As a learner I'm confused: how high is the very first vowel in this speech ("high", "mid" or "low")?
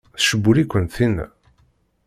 mid